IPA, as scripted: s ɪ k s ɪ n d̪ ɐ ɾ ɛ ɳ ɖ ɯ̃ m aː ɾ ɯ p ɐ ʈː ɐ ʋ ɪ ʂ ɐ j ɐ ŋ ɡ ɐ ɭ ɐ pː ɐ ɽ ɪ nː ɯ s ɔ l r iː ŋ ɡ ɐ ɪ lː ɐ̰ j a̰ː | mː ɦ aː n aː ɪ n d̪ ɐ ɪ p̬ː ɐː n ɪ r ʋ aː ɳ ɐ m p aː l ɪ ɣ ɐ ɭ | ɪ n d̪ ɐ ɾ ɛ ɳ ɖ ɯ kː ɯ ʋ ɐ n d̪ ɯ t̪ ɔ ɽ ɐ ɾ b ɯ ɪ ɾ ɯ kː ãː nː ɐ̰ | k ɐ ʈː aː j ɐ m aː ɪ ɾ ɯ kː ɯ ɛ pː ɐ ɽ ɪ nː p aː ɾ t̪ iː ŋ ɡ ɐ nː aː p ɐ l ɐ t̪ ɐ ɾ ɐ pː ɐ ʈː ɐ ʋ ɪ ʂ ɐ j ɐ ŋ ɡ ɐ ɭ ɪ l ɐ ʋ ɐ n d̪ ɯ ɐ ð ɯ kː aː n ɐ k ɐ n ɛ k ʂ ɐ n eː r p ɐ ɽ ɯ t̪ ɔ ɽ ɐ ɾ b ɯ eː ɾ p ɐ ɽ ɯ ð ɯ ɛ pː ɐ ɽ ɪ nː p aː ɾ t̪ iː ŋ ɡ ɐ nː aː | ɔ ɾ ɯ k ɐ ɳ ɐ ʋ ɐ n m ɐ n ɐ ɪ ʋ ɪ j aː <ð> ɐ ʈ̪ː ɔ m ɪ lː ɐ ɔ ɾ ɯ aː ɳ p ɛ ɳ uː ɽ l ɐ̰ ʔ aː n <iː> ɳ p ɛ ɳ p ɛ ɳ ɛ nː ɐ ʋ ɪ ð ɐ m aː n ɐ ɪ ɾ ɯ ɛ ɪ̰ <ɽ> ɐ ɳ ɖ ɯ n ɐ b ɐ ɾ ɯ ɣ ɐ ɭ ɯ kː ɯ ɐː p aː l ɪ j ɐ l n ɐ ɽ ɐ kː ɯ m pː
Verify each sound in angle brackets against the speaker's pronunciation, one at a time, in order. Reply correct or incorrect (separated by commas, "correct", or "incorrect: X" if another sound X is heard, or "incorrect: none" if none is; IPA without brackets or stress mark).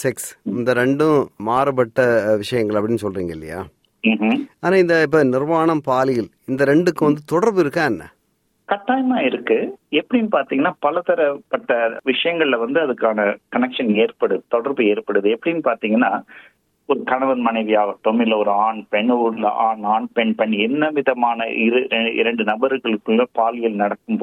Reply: incorrect: ɣ, incorrect: aː, incorrect: ɾ